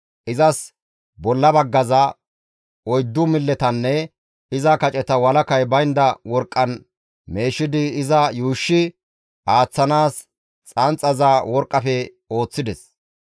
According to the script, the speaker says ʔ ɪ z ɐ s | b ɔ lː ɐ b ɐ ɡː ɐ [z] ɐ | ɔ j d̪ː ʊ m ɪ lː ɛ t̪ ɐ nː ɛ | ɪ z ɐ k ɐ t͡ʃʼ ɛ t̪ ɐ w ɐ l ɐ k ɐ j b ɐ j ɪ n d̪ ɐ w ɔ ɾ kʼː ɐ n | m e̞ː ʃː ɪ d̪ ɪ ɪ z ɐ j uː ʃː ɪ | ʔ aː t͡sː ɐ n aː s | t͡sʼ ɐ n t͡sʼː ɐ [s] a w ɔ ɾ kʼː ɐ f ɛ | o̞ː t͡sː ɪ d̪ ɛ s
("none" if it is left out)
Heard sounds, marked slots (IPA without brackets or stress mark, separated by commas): z, z